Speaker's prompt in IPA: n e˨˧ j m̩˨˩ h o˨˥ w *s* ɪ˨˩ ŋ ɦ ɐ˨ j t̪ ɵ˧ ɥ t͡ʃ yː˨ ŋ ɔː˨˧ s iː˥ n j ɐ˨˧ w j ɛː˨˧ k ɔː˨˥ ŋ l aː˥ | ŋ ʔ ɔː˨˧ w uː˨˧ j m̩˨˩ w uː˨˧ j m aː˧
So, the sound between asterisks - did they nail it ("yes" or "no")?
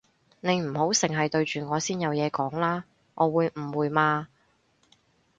yes